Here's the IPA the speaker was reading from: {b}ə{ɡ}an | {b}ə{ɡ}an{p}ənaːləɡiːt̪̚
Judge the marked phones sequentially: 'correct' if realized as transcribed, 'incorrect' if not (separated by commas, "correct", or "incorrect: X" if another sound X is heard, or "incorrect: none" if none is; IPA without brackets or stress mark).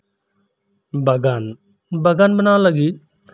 correct, correct, correct, correct, incorrect: b